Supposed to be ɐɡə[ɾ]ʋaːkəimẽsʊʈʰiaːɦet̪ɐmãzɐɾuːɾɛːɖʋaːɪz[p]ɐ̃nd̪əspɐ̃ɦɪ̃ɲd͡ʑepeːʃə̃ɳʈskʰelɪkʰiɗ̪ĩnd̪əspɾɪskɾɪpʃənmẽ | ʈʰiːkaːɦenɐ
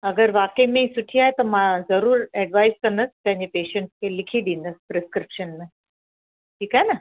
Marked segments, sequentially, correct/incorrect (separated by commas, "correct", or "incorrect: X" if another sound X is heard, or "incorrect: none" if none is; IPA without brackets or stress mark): correct, incorrect: k